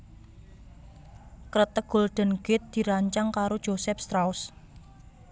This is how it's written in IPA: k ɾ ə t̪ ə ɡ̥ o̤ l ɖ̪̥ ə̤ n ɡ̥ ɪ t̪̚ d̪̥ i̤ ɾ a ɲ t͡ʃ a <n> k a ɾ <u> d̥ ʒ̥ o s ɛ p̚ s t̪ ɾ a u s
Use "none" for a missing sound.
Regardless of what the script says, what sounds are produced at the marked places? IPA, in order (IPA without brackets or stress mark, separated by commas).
ŋ, o